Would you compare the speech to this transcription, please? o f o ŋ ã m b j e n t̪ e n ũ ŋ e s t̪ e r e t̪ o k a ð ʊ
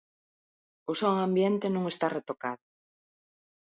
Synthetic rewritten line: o s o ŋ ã m b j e n t̪ e n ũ ŋ e s t̪ a r e t̪ o k a ð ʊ